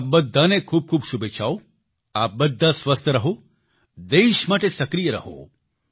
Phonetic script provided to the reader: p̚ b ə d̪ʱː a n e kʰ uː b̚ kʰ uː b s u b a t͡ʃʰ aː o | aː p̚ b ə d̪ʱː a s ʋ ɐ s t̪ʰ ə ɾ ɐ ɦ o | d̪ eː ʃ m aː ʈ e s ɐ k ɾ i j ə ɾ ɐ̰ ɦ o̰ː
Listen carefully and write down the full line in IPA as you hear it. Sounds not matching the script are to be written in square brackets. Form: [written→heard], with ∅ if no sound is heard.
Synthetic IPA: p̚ b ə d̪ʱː a n e kʰ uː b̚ kʰ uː b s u b [a→e] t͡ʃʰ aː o | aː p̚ b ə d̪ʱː a s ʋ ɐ s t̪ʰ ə ɾ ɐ ɦ o | d̪ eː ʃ m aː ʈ e s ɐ k ɾ i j ə ɾ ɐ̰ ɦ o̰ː